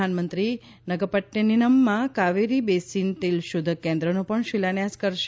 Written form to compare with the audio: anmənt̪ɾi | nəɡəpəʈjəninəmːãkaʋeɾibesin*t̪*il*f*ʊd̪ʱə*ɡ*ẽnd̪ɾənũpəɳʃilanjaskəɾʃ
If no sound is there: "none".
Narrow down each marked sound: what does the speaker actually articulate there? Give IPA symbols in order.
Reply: t̪, ʃ, k

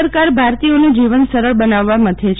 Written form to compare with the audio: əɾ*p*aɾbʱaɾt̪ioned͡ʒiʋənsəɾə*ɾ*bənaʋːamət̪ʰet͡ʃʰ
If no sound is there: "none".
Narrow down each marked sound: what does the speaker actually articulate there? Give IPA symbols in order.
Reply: k, ɭ

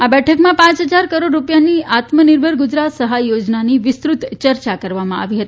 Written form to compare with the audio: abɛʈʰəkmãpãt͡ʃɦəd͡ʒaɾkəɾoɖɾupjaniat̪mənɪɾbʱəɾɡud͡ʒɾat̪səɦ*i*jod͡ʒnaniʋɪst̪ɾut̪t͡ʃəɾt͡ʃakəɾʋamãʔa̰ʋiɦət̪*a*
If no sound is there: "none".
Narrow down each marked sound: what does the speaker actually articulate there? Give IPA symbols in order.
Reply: a, i

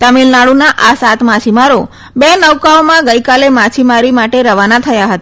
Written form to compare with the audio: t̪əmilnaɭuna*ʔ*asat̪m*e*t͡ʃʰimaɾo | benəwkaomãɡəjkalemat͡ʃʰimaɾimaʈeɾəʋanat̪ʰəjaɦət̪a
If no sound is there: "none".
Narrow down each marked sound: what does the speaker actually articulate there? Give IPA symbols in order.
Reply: ʔ, a

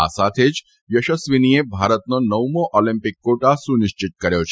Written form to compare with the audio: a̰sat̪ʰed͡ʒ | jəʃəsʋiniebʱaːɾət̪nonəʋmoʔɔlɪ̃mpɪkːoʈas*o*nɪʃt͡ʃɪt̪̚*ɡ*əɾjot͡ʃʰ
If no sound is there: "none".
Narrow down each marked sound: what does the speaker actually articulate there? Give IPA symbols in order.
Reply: u, k

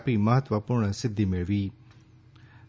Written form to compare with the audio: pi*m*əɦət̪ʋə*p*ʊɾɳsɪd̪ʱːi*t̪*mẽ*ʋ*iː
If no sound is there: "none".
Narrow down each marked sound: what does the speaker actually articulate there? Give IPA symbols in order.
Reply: m, p, none, ʋ

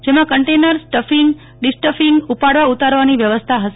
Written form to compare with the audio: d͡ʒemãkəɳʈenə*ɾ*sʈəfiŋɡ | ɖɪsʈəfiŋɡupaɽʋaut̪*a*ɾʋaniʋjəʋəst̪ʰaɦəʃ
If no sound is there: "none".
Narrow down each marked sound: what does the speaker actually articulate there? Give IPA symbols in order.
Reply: ɾ, a

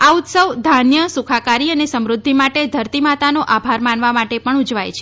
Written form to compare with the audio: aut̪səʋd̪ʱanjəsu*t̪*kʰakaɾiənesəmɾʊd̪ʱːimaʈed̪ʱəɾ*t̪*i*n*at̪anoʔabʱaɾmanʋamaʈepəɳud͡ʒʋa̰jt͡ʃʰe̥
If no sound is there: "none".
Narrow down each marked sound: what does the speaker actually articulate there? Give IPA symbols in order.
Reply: none, t̪, m

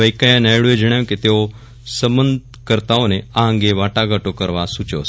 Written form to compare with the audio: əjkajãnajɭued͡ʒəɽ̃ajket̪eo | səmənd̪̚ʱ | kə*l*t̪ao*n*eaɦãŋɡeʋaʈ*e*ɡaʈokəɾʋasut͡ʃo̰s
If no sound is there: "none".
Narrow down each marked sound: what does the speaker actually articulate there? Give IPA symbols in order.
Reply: ɾ, n, a

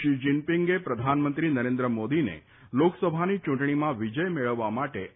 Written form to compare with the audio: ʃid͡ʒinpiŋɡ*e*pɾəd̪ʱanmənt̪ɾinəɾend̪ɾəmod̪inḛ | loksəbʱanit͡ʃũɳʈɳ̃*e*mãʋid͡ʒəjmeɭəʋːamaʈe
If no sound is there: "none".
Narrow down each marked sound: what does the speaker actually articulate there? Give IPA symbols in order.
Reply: e, i

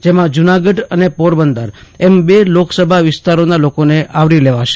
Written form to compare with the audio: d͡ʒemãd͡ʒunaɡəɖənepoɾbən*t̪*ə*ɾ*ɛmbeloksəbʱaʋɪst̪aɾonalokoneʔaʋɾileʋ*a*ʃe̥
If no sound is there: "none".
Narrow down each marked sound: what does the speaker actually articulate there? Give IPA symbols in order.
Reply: d̪, ɾ, a

